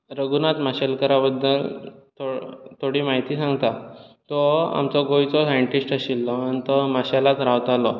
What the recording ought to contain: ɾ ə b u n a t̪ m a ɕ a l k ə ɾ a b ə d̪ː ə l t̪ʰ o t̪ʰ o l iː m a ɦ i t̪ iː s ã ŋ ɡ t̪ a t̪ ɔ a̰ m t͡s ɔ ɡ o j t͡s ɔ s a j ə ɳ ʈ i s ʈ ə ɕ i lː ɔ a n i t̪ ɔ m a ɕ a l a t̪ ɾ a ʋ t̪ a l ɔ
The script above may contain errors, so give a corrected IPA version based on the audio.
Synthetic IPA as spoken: ɾ ə ɡ u n a t̪ m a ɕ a l k ə ɾ a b ə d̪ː ə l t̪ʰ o t̪ʰ o ɽ iː m a ɦ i t̪ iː s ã ŋ ɡ t̪ a t̪ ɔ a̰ m t͡s ɔ ɡ o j t͡s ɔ s a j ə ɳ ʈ i s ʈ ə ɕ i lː ɔ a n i t̪ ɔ m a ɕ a l a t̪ ɾ a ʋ t̪ a l ɔ